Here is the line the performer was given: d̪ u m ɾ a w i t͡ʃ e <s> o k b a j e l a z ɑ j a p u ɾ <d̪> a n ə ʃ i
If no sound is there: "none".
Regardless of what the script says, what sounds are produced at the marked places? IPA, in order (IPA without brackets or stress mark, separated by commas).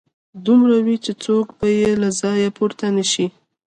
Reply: t͡s, t̪